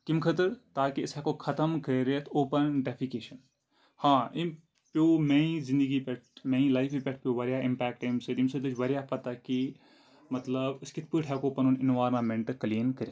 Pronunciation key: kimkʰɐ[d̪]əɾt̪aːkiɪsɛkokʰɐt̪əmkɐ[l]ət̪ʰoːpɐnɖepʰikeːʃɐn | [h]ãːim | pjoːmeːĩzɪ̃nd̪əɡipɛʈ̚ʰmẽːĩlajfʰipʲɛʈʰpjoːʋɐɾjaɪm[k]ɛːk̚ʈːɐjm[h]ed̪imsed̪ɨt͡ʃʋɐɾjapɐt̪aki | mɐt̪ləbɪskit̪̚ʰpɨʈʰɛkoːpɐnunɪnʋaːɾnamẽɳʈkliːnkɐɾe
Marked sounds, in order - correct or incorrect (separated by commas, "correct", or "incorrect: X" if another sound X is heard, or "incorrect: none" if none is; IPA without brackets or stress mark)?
incorrect: t̪, incorrect: ɾ, correct, incorrect: p, incorrect: s